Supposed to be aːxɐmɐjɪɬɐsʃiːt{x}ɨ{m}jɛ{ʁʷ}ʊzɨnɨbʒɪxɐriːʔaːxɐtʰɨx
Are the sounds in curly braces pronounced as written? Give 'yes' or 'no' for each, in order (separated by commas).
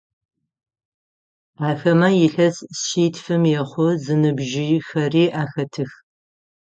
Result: no, yes, no